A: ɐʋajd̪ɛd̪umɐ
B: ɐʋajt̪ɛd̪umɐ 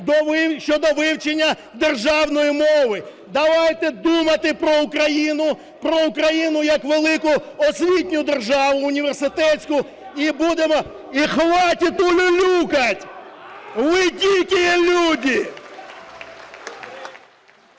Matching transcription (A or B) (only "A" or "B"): B